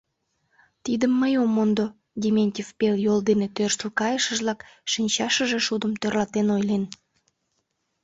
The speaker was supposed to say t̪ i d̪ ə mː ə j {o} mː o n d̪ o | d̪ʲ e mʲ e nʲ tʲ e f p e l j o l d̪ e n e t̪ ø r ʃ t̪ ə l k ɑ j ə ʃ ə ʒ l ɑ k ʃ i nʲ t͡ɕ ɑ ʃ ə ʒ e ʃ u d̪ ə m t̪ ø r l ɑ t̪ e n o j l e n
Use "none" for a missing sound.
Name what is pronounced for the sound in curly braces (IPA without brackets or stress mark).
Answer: o